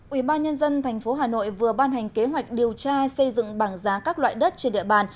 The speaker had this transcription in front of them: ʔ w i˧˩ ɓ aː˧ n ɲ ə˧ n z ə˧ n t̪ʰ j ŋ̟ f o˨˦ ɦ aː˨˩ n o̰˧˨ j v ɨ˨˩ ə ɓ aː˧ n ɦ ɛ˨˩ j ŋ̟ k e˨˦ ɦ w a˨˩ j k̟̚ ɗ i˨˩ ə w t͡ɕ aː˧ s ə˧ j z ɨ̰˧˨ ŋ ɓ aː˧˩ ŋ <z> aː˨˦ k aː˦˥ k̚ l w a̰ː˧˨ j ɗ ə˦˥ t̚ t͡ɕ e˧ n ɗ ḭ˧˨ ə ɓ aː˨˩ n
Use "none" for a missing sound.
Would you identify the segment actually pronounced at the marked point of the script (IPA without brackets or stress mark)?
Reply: z